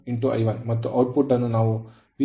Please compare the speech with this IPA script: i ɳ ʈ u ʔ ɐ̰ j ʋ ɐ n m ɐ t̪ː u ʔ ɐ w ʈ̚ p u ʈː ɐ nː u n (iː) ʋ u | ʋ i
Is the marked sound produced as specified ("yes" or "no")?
no